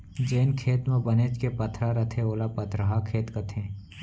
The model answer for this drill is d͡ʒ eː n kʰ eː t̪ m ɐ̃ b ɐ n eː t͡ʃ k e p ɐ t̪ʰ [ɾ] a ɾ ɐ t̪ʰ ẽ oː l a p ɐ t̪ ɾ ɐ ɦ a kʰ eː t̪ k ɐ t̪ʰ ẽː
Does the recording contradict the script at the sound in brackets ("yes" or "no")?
no